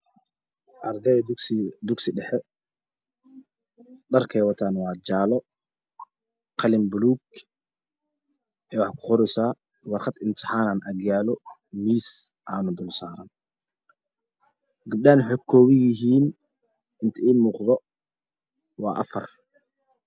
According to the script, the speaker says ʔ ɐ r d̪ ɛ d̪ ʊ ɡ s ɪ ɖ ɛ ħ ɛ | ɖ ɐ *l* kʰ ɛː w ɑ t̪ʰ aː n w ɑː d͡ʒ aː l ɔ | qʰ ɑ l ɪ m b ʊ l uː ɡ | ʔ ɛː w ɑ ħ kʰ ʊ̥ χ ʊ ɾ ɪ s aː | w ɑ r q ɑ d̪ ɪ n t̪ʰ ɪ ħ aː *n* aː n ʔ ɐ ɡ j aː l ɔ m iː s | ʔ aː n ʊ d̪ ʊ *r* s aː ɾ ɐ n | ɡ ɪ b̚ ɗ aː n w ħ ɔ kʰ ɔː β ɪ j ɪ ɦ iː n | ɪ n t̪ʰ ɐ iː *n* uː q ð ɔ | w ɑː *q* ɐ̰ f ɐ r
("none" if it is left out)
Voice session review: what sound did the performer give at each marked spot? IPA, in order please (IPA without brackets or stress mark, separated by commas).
r, n, l, m, ʔ